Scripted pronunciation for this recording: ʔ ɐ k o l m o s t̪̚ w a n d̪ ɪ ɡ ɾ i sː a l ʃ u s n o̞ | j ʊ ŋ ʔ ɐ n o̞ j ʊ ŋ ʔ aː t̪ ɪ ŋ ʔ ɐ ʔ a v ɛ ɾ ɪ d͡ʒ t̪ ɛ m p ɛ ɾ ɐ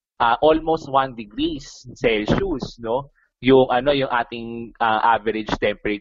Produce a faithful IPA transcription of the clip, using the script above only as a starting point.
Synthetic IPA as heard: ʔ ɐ ʔ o l m o s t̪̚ w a n d̪ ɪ ɡ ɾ i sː ɛ l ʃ u s n o̞ | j ʊ ŋ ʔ ɐ n o̞ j ʊ ŋ ʔ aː t̪ ɪ ŋ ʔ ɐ ʔ a v ɛ ɾ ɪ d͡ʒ t̪ ɛ m p ɛ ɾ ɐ